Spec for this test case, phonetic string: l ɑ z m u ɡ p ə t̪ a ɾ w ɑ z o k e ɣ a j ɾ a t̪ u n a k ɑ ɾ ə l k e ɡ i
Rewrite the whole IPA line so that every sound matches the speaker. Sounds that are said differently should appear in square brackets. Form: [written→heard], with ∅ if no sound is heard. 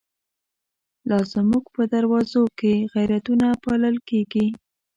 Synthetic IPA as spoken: l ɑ z m u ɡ p ə [t̪→d̪] a ɾ w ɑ z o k e ɣ a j ɾ a t̪ u n a [k→p] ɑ [ɾ→l] ə l k e ɡ i